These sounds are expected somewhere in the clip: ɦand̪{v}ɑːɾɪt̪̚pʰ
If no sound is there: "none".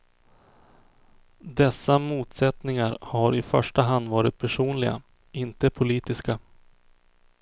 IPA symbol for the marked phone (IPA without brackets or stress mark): v